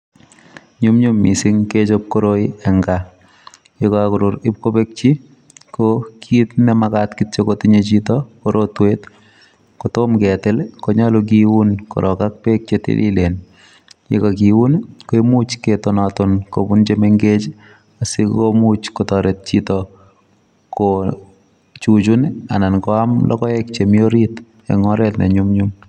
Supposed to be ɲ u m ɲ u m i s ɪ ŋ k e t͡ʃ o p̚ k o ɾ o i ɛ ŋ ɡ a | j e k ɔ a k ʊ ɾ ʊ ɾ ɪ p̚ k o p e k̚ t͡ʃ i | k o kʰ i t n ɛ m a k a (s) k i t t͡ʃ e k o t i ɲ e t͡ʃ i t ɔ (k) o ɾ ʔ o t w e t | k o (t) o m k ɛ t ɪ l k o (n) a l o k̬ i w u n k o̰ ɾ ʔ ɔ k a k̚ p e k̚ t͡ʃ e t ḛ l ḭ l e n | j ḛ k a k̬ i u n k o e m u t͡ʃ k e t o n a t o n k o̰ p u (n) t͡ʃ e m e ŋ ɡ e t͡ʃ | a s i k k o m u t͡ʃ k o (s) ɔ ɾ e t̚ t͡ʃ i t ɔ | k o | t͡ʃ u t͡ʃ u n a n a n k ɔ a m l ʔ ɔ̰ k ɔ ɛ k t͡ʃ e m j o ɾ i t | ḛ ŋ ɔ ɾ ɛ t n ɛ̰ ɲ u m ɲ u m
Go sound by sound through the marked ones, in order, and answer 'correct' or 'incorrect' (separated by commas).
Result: incorrect, correct, correct, incorrect, correct, incorrect